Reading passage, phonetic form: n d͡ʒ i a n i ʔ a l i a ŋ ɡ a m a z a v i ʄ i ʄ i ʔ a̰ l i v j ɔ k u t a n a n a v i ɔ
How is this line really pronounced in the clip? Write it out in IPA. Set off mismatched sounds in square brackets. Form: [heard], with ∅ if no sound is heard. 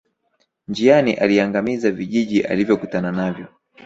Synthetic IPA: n d͡ʒ i a n i ʔ a l i a ŋ ɡ a m [i] z a v i ʄ i ʄ i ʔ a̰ l i v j ɔ k u t a n a n a v [j] ɔ